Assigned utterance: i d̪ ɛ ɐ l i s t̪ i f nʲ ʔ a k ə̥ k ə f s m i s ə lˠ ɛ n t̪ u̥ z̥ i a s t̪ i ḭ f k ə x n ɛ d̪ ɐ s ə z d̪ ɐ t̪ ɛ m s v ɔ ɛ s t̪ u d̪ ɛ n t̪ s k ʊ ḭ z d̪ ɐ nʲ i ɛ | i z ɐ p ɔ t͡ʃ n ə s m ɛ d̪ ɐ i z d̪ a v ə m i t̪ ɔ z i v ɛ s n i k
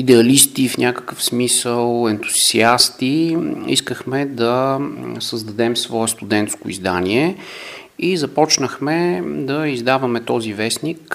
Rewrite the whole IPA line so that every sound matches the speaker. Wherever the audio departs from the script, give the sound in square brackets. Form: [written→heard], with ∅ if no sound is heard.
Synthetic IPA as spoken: i d̪ ɛ ɐ l i s t̪ i f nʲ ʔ a k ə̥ k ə f s m i s ə lˠ ɛ n t̪ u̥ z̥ i a s t̪ i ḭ [f→s] k ə x [n→m] ɛ d̪ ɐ s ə z d̪ ɐ [t̪→d̪] ɛ m s v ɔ ɛ s t̪ u d̪ ɛ n t̪ s k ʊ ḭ z d̪ [ɐ→a] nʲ i ɛ | i z ɐ p ɔ t͡ʃ n ə [s→x] m ɛ d̪ ɐ i z d̪ a v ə m [i→ɛ] t̪ ɔ z i v ɛ s n i k